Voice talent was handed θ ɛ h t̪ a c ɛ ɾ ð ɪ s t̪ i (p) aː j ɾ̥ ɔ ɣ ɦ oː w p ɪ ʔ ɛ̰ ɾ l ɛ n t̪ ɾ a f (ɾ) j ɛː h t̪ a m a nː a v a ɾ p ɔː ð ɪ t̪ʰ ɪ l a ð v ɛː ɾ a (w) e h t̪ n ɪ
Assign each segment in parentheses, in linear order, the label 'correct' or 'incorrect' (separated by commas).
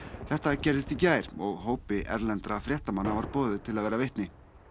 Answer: incorrect, correct, incorrect